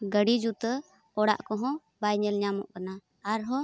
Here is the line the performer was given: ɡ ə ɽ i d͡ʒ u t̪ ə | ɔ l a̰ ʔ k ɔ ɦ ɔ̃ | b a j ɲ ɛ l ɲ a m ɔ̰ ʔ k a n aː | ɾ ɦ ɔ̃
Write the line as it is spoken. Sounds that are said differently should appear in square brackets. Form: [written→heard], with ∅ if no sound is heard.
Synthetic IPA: ɡ ə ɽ i d͡ʒ u t̪ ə | ɔ [l→ɽ] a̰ ʔ k ɔ ɦ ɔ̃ | b a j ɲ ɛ l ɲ a m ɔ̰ ʔ k a n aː | ɾ ɦ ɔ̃